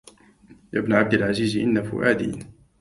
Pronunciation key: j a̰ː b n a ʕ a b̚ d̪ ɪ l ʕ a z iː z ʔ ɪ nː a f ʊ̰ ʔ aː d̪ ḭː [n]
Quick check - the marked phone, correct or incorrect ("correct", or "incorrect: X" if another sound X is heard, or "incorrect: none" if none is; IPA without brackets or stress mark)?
correct